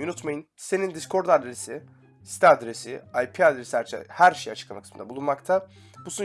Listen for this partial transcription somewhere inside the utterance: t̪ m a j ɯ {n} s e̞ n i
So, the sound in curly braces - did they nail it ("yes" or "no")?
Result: yes